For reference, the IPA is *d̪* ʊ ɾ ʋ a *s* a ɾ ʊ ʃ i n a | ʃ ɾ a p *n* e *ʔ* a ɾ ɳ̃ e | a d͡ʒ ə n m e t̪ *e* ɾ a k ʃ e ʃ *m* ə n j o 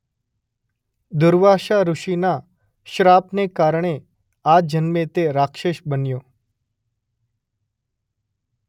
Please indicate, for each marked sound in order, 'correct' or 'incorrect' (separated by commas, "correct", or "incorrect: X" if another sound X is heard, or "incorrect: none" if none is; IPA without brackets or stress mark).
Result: correct, incorrect: ʃ, correct, incorrect: k, correct, incorrect: b